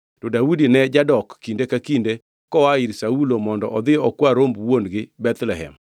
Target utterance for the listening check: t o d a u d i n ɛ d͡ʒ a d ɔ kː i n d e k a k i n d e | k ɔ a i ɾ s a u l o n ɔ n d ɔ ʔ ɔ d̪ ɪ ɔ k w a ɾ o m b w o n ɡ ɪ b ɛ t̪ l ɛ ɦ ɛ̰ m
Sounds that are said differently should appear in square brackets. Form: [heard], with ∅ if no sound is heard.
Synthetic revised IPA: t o d a u d i n ɛ d͡ʒ a d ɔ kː i n d e k a k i n d e | k ɔ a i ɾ s a u l o [m] ɔ n d ɔ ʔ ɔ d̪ ɪ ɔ k w a ɾ o m b w o n ɡ ɪ b ɛ t̪ l ɛ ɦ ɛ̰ m